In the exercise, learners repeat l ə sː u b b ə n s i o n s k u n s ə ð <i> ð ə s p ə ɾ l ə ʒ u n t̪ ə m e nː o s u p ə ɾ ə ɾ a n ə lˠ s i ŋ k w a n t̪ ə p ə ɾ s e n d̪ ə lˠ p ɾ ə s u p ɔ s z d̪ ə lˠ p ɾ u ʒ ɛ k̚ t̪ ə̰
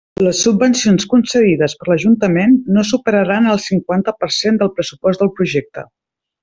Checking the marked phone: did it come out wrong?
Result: no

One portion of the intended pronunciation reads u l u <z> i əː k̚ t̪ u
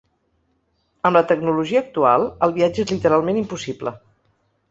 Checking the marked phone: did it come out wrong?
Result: yes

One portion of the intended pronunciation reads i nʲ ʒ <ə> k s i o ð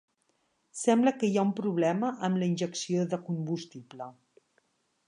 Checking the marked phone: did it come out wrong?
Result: no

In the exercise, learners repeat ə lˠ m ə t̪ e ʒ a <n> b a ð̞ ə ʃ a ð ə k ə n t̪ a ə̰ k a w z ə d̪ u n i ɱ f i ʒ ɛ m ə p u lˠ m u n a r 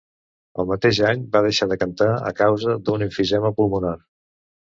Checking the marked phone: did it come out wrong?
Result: yes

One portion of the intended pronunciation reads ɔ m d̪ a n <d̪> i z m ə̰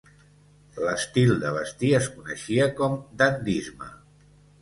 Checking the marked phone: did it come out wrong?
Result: no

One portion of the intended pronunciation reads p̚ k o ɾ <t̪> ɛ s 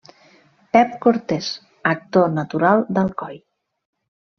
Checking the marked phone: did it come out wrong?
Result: no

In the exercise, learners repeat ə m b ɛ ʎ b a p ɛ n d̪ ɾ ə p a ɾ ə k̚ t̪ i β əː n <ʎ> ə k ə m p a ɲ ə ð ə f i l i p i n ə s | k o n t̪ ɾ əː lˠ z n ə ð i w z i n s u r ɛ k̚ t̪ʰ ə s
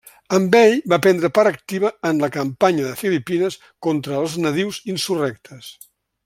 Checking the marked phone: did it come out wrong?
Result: yes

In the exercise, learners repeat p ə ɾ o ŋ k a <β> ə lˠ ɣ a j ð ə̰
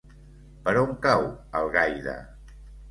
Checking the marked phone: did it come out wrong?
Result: yes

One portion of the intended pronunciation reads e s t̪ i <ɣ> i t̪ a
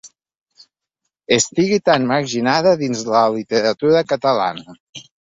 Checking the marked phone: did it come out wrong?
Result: no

